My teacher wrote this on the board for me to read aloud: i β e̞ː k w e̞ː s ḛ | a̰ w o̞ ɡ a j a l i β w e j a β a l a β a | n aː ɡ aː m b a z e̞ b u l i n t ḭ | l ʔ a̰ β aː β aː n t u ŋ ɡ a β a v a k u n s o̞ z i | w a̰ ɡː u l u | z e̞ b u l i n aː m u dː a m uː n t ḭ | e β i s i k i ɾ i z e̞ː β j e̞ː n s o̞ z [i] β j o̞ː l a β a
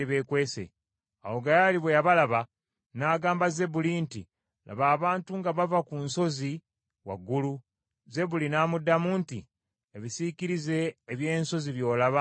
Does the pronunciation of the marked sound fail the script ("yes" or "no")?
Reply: no